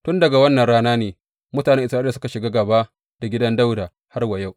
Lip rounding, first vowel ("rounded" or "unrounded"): rounded